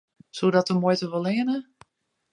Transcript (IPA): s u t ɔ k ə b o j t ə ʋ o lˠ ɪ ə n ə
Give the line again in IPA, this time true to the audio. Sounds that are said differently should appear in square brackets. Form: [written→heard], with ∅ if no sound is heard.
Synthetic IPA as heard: s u [t→d] ɔ [k→t] ə [b→m] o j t ə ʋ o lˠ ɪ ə n ə